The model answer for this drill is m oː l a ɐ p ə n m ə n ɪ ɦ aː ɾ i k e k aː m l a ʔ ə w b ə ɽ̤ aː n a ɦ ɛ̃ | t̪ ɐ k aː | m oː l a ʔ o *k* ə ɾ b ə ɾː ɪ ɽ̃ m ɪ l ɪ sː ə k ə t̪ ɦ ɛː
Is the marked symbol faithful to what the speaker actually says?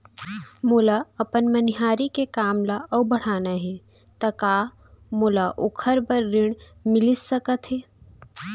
no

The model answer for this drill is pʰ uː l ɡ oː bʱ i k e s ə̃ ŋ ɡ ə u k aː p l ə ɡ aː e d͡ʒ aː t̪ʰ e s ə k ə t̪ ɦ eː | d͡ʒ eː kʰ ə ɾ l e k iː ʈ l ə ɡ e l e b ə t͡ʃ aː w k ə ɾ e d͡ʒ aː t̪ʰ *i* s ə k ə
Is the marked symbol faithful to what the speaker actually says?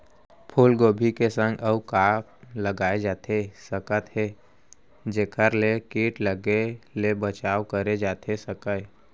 no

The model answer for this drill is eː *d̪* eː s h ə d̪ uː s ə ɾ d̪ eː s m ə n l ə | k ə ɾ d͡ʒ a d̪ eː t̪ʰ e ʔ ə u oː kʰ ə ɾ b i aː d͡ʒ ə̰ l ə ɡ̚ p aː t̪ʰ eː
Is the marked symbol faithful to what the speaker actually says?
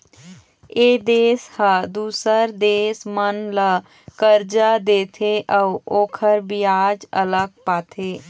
yes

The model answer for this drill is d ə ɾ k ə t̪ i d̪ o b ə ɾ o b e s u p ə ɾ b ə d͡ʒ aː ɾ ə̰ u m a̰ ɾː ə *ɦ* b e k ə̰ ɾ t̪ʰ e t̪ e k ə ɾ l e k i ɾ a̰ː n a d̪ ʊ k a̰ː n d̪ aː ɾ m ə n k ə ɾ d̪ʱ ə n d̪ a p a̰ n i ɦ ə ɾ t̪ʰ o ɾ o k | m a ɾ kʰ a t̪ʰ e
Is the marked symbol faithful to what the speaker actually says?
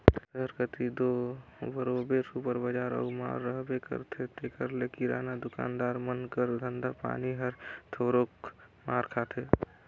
yes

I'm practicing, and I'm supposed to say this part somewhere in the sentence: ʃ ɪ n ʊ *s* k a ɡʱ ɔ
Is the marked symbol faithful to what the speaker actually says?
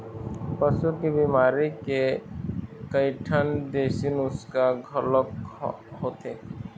yes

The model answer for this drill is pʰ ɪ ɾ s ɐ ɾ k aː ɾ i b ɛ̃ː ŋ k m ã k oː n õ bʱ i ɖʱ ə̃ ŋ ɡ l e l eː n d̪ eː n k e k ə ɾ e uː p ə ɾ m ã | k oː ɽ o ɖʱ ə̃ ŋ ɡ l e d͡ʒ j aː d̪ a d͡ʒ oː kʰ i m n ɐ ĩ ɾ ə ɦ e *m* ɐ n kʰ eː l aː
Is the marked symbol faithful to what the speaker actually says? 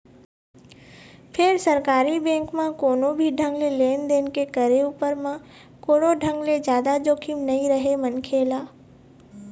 yes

